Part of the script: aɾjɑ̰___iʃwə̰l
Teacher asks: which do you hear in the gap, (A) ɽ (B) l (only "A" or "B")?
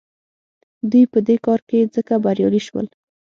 B